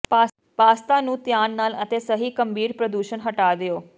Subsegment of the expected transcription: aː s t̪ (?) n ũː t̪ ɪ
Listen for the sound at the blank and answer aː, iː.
aː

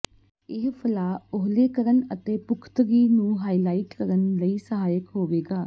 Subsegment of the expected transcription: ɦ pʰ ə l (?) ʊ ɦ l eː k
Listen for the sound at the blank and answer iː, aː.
aː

